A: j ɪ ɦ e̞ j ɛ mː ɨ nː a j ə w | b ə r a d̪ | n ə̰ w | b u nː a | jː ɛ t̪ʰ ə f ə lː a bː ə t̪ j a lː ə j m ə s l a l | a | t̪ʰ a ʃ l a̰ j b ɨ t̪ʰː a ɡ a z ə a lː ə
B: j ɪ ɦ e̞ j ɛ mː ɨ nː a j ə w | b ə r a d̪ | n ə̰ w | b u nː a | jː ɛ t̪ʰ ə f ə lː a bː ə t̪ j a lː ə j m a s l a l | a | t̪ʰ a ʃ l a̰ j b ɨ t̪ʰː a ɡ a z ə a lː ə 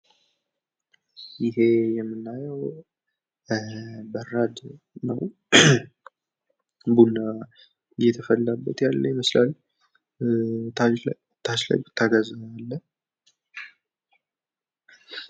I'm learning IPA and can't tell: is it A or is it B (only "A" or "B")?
A